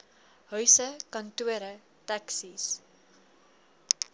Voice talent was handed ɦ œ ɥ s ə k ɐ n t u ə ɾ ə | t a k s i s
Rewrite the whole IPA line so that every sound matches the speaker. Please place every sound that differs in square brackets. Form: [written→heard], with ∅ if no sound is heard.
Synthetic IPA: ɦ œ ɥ s ə k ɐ n t u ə ɾ ə | t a k s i s